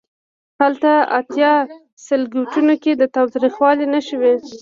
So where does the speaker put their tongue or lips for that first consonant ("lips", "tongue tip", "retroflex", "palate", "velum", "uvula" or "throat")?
throat